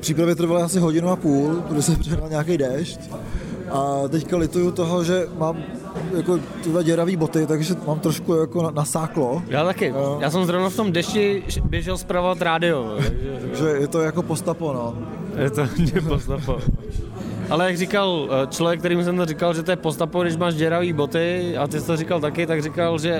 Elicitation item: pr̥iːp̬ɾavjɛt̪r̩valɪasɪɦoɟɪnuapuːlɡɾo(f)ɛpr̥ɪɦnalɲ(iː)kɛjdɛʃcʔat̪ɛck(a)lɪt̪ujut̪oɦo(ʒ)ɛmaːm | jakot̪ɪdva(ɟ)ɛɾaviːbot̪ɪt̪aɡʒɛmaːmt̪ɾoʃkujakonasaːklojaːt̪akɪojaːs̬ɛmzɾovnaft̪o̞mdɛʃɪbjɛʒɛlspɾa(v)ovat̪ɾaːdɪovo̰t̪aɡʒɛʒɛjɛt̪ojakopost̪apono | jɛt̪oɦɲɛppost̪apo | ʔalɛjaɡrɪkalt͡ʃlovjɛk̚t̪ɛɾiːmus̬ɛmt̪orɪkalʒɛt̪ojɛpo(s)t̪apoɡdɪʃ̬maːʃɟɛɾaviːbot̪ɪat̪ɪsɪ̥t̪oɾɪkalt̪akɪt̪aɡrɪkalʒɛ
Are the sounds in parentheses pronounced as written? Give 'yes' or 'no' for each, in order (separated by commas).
no, no, yes, yes, yes, yes, yes